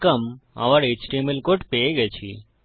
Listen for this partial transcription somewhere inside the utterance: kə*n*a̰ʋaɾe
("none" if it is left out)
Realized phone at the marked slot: m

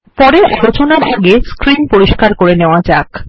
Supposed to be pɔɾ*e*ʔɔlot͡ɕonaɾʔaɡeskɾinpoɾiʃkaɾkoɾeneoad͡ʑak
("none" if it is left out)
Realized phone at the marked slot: e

